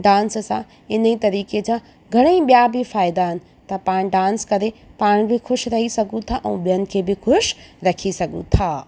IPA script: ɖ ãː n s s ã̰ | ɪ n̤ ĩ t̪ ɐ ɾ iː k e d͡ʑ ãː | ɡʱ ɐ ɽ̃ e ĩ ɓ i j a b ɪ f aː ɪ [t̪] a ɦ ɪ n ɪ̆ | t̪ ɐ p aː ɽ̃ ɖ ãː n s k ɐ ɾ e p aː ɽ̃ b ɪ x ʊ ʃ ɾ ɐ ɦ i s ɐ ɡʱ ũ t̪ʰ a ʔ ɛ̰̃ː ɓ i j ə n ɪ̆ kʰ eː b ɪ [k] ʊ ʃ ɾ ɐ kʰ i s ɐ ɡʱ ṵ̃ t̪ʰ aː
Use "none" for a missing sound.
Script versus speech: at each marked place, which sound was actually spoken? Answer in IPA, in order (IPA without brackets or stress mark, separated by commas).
d̪, x